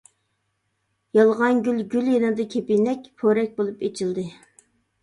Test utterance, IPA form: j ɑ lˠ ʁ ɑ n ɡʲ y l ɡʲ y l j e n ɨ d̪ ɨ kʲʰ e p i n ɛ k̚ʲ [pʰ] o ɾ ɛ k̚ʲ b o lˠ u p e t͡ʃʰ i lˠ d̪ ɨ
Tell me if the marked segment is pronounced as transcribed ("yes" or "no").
yes